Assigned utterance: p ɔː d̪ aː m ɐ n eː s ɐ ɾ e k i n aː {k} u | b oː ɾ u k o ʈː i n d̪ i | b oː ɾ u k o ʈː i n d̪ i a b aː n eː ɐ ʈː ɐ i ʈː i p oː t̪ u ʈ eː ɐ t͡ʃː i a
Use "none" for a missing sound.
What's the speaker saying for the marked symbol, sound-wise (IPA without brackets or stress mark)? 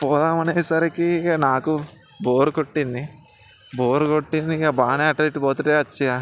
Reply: k